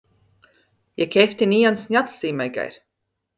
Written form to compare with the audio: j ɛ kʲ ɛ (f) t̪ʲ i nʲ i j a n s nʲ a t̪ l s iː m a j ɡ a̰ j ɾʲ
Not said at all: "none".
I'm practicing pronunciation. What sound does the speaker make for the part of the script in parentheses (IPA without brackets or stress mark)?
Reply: f